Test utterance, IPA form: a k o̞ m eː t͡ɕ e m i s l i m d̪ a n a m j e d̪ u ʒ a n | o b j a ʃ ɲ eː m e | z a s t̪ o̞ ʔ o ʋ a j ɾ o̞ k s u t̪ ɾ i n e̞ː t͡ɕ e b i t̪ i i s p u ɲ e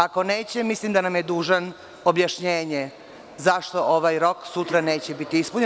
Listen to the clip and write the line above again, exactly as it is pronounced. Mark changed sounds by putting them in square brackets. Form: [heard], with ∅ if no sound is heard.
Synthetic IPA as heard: a k o̞ [n] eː t͡ɕ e m i s l i m d̪ a n a m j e d̪ [uː] ʒ a n | o b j a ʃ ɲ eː [ɲ] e | z a [ʃ] t̪ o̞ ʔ o ʋ a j ɾ o̞ k s u t̪ ɾ [a] n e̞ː t͡ɕ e b i t̪ i i s p u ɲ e

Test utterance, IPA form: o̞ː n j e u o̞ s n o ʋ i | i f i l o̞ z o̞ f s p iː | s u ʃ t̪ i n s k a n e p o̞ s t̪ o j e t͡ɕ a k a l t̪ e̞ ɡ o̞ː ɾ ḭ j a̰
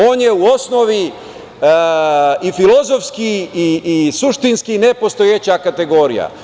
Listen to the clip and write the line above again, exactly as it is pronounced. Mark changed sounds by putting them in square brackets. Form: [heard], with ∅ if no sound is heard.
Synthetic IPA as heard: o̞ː n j e u o̞ s n o ʋ i | i f i l o̞ z o̞ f s [k] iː | s u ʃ t̪ i n s k [i] n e p o̞ s t̪ o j e t͡ɕ a k a [∅] t̪ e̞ ɡ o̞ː ɾ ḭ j a̰

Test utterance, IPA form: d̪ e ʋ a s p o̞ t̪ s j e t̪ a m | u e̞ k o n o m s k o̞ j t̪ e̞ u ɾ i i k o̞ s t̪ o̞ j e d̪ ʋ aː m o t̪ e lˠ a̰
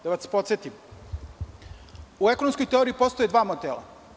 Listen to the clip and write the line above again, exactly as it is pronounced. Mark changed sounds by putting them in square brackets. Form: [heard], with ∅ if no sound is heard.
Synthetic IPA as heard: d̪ [a] ʋ a s p o̞ t̪ s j e t̪ [i] m | u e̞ k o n o m s k o̞ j t̪ e̞ [o] ɾ i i [p] o̞ s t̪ o̞ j e d̪ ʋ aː m o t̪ e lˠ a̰

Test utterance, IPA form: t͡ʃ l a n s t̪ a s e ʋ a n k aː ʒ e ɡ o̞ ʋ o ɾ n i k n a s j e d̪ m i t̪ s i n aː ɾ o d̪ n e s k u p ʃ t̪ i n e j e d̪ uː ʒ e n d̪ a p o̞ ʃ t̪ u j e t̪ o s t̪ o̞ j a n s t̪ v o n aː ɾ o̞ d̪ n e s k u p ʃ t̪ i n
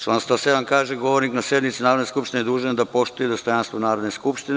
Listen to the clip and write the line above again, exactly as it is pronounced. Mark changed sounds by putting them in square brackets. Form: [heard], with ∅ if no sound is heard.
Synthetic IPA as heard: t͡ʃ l a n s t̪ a s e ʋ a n k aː ʒ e ɡ o̞ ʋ o ɾ n i k n a s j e d̪ m i t̪ s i n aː ɾ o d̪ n e s k u p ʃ t̪ i n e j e d̪ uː ʒ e n d̪ a p o̞ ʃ t̪ u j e [d̪] o s t̪ o̞ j a n s t̪ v o n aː ɾ o̞ d̪ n e s k u p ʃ t̪ i n

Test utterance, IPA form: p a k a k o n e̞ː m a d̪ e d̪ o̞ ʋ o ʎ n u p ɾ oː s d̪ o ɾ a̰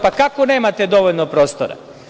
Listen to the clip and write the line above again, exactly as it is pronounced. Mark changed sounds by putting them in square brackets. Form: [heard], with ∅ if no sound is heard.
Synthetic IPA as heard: p a k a k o n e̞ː m a [t̪] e d̪ o̞ ʋ o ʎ n [o] p ɾ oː s [t̪] o ɾ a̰

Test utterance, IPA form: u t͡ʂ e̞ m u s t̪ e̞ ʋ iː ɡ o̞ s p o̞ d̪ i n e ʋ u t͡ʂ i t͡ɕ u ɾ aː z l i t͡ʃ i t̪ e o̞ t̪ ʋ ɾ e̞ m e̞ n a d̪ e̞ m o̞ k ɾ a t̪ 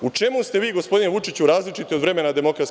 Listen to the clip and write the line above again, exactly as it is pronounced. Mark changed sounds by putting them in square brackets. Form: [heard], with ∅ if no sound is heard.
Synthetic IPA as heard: u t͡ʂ e̞ m u s t̪ e̞ ʋ iː ɡ o̞ s p o̞ d̪ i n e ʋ u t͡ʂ i t͡ɕ u ɾ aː z l i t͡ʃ i t̪ [i] o̞ [d̪] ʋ ɾ e̞ m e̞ n a d̪ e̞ m o̞ k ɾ a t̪

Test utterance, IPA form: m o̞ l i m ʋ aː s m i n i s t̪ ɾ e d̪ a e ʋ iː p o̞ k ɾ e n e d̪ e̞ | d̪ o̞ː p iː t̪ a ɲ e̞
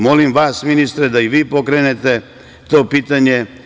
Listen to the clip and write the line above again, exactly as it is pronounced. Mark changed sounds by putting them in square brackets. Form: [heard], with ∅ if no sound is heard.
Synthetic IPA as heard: m o̞ l i m ʋ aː s m i n i s t̪ ɾ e d̪ a [i] ʋ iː p o̞ k ɾ e n e [t̪] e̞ | [t̪] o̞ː p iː t̪ a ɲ e̞

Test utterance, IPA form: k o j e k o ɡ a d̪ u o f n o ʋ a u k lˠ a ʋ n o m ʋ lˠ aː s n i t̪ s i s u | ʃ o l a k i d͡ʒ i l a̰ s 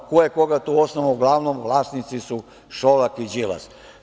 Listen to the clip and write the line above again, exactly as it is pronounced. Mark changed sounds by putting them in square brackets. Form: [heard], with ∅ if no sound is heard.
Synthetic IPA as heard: k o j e k o ɡ a [t̪] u o [s] n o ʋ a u [ɡ] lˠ a ʋ n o m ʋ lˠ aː s n i t̪ s i s u | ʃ o l a k i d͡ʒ i l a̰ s

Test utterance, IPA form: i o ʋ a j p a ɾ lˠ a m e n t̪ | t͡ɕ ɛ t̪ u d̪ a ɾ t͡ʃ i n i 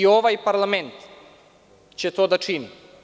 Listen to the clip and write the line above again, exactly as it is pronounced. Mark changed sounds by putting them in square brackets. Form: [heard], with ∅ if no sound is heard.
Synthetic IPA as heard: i o ʋ a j p a ɾ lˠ a m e n t̪ | t͡ɕ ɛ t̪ [o] d̪ a [∅] t͡ʃ i n i

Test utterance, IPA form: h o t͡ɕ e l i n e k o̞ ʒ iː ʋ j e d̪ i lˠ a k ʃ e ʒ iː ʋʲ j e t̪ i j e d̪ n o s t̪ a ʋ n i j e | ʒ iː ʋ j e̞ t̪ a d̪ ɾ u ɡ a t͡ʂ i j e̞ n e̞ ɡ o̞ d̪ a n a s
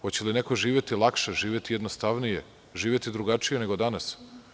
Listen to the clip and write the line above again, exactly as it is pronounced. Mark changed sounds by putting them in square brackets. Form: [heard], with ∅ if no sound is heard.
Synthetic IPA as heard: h o t͡ɕ e l i n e k o̞ ʒ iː ʋ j e [t̪] i lˠ a k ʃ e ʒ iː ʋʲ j e t̪ i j e d̪ n o s t̪ a ʋ n i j e | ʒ iː ʋ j e̞ t̪ [i] d̪ ɾ u ɡ a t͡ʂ i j e̞ n e̞ ɡ o̞ d̪ a n a s

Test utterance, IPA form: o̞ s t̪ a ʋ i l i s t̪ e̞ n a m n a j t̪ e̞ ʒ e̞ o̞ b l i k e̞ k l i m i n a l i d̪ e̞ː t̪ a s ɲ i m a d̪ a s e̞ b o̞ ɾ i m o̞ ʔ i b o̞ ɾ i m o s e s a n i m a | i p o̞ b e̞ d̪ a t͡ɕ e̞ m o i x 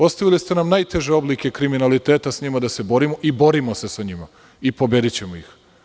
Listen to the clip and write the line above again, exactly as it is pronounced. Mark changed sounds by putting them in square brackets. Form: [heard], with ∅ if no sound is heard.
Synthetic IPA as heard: o̞ s t̪ a ʋ i l i s t̪ e̞ n a m n a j t̪ e̞ ʒ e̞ o̞ b l i k e̞ k [ɾ] i m i n a l i [t̪] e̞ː t̪ a s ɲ i m a d̪ a s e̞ b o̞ ɾ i m o̞ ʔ i b o̞ ɾ i m o s e s a [ɲ] i m a | i p o̞ b e̞ d̪ [i] t͡ɕ e̞ m o i x

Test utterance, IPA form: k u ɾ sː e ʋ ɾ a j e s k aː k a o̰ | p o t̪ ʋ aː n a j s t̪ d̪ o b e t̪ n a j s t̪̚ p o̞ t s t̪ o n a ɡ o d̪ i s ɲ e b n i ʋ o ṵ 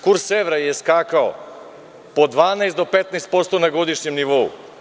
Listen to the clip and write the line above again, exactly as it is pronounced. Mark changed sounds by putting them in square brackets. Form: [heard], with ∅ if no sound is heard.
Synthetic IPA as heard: k u ɾ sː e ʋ ɾ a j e s k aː k a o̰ | p o [d̪] ʋ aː n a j s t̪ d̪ o [p] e t̪ n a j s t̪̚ p o̞ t s t̪ o n a ɡ o d̪ i [ʃ] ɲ e [m] n i ʋ o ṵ

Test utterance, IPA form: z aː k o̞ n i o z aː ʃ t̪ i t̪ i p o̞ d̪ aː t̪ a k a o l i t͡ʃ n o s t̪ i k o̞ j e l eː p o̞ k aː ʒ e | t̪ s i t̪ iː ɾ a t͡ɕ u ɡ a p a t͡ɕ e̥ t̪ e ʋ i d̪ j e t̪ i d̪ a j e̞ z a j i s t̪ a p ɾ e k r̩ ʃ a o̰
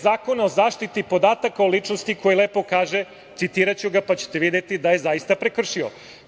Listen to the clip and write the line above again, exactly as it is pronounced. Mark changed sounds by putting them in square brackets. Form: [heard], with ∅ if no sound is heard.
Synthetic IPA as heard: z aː k o̞ n [a] o z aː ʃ t̪ i t̪ i p o̞ d̪ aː t̪ a k a o l i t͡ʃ n o s t̪ i k o̞ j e l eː p o̞ k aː ʒ e | t̪ s i t̪ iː ɾ a t͡ɕ u ɡ a p a t͡ɕ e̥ t̪ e ʋ i d̪ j e t̪ i d̪ a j e̞ z a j i s t̪ a p ɾ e k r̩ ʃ [i] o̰

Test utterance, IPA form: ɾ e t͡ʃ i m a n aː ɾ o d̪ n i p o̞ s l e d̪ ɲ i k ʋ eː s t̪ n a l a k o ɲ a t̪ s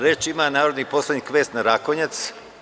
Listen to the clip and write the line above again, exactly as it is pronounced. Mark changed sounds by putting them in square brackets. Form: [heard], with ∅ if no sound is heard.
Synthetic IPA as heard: ɾ e t͡ʃ i m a n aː ɾ o d̪ n i p o̞ s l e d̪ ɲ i k ʋ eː s t̪ n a [ɾ] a k o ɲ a t̪ s

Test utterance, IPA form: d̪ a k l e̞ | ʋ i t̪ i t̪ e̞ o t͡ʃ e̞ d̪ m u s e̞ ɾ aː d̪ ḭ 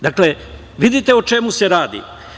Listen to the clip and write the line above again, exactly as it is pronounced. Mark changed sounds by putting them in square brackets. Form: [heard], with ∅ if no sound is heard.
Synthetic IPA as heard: d̪ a k l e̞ | ʋ i [d̪] i t̪ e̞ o t͡ʃ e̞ [∅] m u s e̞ ɾ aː d̪ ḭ

